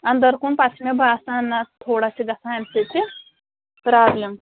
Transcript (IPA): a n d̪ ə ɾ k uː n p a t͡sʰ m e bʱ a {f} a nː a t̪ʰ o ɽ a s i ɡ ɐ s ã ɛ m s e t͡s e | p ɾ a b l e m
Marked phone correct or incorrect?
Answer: incorrect